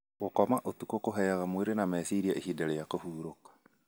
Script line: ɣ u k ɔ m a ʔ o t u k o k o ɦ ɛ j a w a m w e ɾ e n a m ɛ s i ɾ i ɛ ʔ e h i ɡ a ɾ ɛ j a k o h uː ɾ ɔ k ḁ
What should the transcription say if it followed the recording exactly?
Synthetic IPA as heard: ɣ o k ɔ m a ʔ o t u k o k o ɦ ɛ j a ɣ a m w e ɾ e n a m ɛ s i ɾ i a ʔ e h i d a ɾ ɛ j a k o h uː ɾ o k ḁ